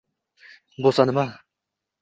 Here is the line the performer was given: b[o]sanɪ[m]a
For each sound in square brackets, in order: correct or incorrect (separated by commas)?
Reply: correct, correct